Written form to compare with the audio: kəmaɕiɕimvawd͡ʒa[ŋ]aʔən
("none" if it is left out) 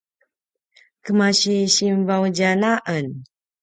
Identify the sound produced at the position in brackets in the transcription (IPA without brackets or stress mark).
n